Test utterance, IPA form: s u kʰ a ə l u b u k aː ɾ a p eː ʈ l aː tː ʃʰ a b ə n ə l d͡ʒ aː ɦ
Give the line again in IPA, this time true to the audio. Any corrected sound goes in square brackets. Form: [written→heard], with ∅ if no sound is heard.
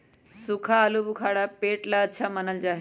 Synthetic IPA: s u kʰ a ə l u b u [k→kʰ] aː [ɾ→ɽ] a p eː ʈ l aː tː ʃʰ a [b→m] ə n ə l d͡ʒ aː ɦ